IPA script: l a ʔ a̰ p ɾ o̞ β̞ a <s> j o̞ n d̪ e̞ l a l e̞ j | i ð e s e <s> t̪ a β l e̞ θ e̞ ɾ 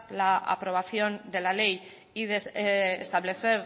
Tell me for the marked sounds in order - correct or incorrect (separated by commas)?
incorrect, correct